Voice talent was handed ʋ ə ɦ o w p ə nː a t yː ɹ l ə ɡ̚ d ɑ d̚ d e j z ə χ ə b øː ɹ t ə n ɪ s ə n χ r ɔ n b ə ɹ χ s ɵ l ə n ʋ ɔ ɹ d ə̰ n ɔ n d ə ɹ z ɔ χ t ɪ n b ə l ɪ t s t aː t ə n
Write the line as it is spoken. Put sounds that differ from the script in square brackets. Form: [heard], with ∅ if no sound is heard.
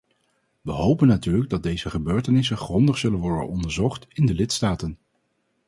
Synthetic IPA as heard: ʋ ə ɦ o w p ə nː a t yː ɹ l ə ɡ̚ d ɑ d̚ d e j z ə χ ə b øː ɹ t ə n ɪ s ə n χ r ɔ n [d] ə [∅] χ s ɵ l ə n ʋ ɔ ɹ d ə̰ n ɔ n d ə ɹ z ɔ χ t ɪ n [d] ə l ɪ t s t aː t ə n